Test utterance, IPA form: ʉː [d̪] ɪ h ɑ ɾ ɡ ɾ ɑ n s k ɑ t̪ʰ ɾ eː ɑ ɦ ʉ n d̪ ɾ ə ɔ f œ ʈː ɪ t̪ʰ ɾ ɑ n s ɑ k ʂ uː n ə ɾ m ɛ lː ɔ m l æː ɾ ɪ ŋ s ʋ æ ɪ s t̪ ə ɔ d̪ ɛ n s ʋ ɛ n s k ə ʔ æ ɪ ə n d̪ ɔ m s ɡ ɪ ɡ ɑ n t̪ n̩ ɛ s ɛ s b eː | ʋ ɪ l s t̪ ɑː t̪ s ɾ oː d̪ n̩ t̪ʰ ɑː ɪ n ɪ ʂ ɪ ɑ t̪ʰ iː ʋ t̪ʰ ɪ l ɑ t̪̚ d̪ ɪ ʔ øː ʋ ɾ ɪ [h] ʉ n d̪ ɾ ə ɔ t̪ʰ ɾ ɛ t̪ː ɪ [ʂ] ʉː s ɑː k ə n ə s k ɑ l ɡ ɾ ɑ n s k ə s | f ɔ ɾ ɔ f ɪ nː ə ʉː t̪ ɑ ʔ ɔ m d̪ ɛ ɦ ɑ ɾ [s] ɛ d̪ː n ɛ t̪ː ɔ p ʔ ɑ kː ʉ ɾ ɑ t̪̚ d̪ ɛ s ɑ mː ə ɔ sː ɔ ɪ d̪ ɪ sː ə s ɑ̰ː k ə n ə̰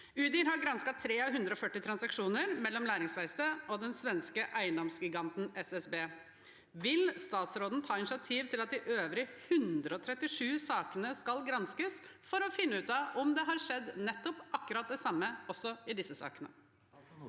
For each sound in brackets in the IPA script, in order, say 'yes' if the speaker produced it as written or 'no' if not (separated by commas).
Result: yes, yes, yes, no